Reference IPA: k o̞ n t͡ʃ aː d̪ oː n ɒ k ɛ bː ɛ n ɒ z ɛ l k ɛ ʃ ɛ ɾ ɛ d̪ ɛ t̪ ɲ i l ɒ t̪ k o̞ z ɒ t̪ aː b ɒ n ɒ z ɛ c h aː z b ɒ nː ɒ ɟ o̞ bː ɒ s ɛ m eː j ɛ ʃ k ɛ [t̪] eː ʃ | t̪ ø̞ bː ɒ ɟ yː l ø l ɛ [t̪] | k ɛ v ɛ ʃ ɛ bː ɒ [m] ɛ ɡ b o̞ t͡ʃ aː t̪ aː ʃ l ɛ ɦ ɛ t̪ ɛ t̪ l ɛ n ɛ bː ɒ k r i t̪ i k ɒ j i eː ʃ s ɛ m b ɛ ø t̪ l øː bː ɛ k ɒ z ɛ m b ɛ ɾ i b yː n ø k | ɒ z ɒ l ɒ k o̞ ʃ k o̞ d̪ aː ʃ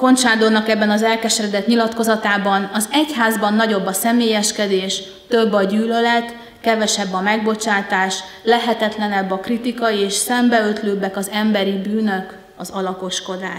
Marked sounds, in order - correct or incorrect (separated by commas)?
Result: incorrect, correct, correct